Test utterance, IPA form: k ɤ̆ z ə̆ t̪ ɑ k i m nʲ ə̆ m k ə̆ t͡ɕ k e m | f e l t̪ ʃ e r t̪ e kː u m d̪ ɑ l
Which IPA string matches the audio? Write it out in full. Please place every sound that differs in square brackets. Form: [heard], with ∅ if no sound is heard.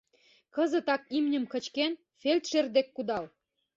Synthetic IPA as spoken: k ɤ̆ z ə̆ t̪ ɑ k i m nʲ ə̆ m k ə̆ t͡ɕ k e [n] | f e l t̪ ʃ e r [d̪] e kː u [∅] d̪ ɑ l